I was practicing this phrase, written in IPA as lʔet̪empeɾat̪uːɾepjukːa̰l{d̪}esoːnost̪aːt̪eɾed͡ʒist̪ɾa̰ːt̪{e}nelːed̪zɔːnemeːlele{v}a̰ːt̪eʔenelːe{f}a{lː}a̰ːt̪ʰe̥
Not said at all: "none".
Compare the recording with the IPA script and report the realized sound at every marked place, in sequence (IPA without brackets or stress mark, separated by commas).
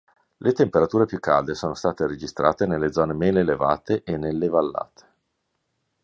d̪, e, v, v, lː